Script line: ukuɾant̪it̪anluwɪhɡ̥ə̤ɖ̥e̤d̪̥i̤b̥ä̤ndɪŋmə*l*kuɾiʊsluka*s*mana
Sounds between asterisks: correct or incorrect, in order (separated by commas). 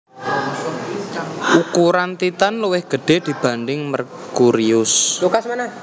incorrect, correct